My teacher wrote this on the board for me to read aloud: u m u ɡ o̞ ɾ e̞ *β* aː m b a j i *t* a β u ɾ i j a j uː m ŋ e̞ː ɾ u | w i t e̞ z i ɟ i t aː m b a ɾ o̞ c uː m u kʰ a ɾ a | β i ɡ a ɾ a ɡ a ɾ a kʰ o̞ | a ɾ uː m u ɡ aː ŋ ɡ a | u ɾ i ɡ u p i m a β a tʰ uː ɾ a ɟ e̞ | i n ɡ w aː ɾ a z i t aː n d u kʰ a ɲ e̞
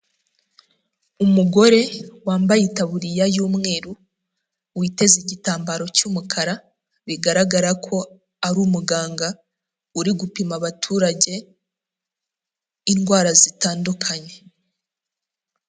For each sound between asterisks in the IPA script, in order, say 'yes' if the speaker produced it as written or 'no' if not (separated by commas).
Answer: no, yes